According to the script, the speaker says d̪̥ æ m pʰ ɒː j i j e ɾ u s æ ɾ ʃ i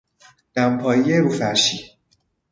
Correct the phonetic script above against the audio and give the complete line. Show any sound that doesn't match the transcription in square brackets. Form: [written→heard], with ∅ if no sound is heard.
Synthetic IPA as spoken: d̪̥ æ m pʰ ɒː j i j e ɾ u [s→f] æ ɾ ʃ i

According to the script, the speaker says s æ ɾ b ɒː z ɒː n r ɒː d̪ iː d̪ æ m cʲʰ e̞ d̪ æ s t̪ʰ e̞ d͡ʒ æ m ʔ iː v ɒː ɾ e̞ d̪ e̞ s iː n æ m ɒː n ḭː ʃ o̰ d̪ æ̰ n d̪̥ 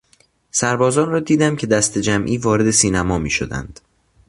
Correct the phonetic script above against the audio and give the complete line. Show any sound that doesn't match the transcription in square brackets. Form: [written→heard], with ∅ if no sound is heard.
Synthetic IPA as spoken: s æ ɾ b ɒː z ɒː n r ɒː d̪ iː d̪ æ m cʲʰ e̞ d̪ æ s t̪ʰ e̞ d͡ʒ æ m ʔ iː v ɒː ɾ e̞ d̪ e̞ s iː n æ m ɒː [n→m] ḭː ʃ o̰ d̪ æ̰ n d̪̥

